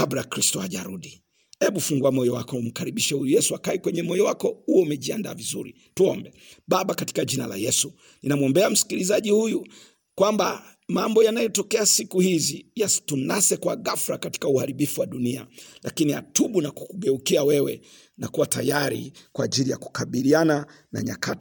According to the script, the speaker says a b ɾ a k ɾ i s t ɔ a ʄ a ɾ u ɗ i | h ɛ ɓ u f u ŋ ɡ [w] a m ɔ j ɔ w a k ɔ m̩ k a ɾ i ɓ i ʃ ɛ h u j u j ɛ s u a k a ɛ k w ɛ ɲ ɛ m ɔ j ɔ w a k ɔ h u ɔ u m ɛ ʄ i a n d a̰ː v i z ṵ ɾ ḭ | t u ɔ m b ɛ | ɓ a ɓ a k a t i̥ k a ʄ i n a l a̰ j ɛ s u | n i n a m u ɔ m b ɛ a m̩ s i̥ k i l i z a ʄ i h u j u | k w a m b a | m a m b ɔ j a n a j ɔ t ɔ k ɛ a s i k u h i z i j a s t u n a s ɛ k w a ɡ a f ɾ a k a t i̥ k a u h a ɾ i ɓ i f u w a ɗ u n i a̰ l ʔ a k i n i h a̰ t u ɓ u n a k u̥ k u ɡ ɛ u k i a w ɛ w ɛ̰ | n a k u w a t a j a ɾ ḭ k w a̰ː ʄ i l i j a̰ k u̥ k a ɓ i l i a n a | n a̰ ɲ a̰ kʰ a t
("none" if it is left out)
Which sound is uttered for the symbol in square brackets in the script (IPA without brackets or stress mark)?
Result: u